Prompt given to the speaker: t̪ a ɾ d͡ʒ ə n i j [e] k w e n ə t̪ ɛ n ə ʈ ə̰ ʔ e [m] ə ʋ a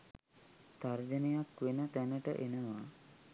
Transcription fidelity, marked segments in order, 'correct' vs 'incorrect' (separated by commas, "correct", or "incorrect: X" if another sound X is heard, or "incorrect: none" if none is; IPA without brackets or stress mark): incorrect: a, incorrect: n